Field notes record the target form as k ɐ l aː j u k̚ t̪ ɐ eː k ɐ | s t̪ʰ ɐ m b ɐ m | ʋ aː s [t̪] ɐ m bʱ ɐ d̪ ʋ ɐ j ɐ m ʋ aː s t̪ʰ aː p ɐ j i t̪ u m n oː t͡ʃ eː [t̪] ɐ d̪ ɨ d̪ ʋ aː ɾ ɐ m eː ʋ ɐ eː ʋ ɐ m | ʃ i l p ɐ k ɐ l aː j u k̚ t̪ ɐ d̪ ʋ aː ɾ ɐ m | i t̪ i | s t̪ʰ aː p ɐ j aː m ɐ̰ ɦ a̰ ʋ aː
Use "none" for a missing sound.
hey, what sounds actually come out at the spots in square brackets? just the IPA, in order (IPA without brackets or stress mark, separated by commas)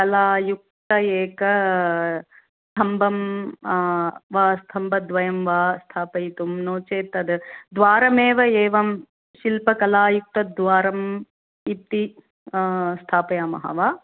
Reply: t̪ʰ, t̪